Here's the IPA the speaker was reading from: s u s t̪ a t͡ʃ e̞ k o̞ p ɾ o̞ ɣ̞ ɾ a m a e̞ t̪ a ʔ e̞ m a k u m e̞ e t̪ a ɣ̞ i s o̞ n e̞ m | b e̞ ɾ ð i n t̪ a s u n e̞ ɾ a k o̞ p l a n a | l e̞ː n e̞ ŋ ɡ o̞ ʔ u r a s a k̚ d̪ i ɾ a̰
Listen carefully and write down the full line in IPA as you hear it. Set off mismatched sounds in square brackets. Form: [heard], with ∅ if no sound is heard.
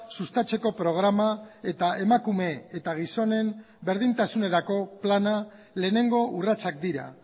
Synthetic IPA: s u s t̪ a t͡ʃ e̞ k o̞ p ɾ o̞ ɣ̞ ɾ a m a e̞ t̪ a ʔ e̞ m a k u m e̞ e t̪ a ɣ̞ i s o̞ n e̞ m | b e̞ ɾ ð i n t̪ a s u n e̞ ɾ a k o̞ p l a n a | l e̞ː n e̞ ŋ ɡ o̞ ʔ u r a [t͡s] a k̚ d̪ i ɾ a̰